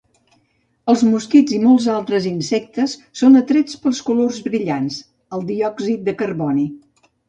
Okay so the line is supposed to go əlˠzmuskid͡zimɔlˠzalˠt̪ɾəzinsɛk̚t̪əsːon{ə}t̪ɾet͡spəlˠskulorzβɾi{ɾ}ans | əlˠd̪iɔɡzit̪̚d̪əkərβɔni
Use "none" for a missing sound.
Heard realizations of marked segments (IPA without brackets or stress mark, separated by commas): ə, ʎ